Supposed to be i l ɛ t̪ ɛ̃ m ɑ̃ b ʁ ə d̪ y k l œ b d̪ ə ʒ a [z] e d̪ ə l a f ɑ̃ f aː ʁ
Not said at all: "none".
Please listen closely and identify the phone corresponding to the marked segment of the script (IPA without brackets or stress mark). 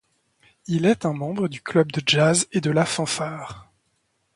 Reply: z